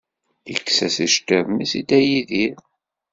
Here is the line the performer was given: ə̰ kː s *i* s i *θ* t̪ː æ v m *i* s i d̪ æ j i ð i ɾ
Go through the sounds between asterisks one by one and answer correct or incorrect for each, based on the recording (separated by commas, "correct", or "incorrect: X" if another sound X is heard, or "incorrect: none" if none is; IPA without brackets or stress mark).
incorrect: æ, incorrect: ʃ, correct